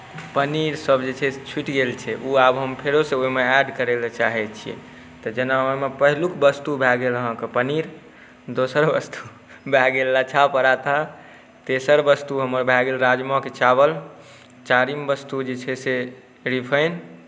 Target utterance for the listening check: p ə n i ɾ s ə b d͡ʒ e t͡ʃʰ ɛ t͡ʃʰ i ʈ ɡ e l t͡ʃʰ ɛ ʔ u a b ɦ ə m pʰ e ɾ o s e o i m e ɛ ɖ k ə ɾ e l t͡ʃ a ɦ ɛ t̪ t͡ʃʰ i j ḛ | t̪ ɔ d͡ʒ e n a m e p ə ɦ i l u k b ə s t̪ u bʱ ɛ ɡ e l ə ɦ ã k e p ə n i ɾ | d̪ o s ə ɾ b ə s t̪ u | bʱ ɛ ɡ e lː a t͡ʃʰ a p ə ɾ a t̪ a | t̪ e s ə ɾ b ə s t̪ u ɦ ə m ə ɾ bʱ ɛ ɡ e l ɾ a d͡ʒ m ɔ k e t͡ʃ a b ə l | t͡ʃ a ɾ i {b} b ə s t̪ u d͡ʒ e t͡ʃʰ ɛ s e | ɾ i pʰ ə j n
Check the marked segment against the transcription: incorrect: m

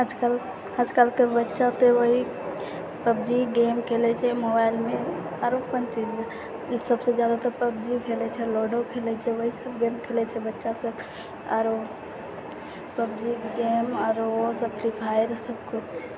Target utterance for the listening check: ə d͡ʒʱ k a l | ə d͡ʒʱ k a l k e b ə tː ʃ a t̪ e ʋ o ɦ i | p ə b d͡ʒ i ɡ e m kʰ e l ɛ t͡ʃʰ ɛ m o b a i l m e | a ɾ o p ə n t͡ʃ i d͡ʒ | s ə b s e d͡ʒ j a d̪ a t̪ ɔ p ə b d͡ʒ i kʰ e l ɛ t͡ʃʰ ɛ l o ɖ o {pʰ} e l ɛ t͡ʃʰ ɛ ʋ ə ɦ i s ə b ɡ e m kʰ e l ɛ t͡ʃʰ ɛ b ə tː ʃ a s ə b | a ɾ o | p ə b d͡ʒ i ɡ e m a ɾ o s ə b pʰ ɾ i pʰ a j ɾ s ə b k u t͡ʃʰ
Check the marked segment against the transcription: incorrect: kʰ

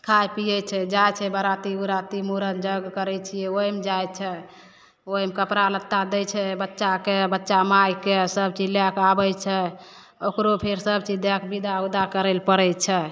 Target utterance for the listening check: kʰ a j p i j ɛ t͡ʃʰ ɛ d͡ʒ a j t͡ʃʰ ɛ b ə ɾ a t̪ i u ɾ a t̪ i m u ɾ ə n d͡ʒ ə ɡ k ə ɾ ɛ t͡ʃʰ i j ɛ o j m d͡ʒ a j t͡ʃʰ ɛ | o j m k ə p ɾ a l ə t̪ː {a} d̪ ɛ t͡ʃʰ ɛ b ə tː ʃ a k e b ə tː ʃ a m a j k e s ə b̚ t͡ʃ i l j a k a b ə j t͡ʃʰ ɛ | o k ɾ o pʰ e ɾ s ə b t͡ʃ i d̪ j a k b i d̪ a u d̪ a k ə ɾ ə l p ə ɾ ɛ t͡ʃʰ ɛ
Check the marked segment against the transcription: correct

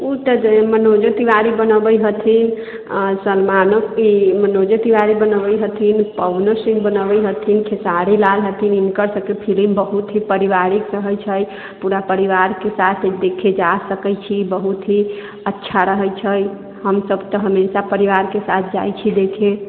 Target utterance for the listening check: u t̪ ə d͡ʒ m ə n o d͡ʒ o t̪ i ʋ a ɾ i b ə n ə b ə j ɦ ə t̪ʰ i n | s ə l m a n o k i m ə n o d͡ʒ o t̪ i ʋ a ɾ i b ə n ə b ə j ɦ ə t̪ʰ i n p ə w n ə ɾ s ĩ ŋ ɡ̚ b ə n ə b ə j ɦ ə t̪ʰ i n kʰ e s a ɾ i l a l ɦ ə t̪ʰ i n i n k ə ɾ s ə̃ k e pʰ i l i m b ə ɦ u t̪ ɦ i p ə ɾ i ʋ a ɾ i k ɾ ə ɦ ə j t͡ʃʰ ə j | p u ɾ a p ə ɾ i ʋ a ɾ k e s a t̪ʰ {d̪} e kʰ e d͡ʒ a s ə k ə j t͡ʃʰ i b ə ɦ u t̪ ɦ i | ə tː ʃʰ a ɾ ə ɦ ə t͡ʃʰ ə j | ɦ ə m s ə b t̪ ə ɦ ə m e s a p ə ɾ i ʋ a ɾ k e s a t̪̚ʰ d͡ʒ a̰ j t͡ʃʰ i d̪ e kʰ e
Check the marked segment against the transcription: correct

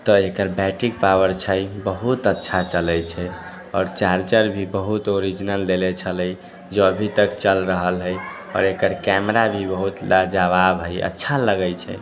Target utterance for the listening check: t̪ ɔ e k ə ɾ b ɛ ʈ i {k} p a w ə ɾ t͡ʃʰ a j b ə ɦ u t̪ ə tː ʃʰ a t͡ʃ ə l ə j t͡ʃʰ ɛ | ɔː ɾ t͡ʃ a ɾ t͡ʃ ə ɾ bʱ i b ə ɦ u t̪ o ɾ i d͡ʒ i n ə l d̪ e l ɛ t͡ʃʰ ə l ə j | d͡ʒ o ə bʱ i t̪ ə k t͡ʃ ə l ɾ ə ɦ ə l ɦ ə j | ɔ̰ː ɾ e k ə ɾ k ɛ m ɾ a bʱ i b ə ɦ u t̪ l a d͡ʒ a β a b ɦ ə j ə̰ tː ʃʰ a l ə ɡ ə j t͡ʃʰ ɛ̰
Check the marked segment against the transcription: correct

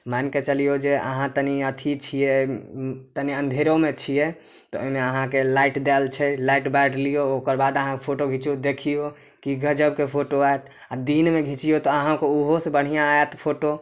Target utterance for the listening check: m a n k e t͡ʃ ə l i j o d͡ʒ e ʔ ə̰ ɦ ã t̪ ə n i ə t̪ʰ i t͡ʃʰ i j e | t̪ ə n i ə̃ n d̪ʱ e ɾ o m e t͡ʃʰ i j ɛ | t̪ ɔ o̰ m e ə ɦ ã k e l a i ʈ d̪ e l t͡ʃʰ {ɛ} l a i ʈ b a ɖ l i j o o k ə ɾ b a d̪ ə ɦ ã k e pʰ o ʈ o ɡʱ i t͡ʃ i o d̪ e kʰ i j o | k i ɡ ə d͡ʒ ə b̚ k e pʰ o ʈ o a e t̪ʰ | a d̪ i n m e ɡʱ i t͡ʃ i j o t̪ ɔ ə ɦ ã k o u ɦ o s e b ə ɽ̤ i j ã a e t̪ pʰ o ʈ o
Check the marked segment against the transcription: correct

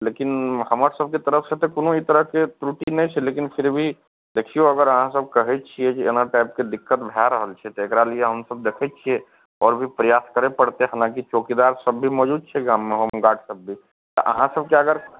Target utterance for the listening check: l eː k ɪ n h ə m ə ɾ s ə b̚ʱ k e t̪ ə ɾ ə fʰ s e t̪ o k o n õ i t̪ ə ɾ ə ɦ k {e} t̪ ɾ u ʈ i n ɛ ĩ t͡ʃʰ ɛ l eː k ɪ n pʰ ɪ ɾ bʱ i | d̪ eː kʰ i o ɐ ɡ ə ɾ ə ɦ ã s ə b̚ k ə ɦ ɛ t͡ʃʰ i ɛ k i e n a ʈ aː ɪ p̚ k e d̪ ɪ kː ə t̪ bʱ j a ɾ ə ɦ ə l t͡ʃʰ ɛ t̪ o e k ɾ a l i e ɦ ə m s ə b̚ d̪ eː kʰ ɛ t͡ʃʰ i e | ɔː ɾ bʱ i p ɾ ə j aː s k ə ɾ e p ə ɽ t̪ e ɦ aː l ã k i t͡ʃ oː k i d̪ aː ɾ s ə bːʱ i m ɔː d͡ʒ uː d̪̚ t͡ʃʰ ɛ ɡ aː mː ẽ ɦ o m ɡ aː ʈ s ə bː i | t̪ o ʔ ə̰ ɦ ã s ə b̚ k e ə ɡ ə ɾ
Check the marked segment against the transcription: correct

